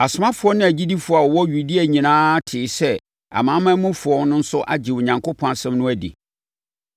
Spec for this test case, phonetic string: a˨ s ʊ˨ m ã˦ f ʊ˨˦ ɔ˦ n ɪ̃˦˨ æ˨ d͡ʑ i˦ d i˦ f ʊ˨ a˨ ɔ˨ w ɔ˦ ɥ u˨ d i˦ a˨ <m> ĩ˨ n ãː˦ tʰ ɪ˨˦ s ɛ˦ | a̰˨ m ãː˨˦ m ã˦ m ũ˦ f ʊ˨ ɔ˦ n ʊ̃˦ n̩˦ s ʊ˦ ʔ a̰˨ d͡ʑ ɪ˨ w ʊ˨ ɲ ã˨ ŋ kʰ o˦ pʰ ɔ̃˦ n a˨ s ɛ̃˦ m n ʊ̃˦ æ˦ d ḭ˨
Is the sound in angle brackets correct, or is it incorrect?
incorrect